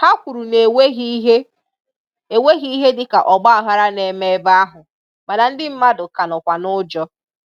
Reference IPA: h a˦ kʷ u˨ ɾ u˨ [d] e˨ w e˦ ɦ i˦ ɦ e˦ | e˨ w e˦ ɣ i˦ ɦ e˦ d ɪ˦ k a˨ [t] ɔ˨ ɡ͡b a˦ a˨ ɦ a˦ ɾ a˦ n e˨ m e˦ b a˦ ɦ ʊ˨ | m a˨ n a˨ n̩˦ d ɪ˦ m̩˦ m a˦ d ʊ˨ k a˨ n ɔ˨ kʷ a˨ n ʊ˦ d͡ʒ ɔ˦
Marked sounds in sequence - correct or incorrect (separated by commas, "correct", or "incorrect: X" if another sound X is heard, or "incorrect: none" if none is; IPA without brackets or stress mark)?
incorrect: n, incorrect: ʔ